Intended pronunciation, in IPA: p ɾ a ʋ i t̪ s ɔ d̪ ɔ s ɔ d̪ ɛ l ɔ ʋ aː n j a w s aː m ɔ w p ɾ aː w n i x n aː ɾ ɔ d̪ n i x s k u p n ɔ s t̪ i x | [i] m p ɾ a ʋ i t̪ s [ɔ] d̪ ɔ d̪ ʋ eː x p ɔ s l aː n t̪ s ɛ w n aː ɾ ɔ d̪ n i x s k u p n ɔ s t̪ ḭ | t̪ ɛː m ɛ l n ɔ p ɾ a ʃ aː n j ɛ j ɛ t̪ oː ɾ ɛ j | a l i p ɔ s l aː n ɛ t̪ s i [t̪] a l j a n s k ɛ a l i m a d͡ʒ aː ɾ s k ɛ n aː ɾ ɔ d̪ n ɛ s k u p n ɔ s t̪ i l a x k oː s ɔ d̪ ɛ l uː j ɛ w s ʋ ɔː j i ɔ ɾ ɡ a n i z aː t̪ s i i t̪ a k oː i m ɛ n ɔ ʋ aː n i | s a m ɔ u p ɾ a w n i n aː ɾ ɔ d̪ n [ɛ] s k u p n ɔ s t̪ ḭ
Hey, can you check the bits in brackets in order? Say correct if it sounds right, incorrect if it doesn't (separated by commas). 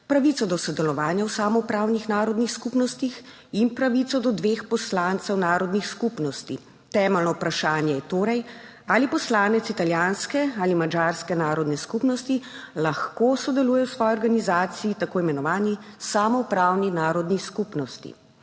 correct, correct, correct, incorrect